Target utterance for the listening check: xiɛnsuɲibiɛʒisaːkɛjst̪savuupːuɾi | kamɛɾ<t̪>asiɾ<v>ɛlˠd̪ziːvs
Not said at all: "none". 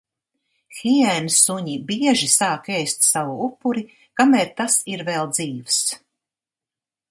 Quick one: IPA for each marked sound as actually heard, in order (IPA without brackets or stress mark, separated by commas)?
t̪, v